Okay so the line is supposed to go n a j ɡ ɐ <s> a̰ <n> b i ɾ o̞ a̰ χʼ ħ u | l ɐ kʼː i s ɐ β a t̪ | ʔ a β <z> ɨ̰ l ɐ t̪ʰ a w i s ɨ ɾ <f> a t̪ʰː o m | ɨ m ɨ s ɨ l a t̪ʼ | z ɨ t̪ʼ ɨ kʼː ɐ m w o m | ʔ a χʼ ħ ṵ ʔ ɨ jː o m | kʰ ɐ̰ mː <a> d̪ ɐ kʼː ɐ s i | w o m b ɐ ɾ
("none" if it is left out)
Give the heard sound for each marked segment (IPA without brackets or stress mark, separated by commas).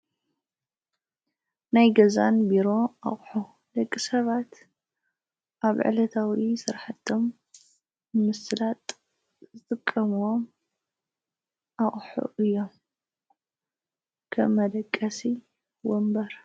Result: z, n, ʕ, ħ, ɐ